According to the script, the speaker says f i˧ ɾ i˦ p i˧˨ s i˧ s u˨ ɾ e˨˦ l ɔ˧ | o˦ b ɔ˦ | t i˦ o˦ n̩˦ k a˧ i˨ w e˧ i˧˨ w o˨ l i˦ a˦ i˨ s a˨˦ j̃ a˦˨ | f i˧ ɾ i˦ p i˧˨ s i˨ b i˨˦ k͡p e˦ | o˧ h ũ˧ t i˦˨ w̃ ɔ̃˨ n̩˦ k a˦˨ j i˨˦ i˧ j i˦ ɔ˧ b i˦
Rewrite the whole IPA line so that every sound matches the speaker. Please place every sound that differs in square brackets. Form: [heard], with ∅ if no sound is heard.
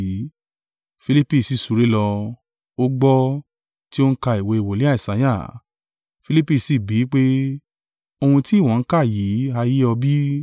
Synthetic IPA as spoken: f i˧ [l] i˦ p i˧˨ s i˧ s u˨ ɾ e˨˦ l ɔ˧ | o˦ [ɡ͡b] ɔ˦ | t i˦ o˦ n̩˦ k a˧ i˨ w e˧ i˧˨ w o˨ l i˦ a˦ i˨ s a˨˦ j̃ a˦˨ | f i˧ [l] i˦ p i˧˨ s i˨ b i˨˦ k͡p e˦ | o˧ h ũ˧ t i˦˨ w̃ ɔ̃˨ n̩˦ k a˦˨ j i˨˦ [a˧] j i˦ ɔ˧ b i˦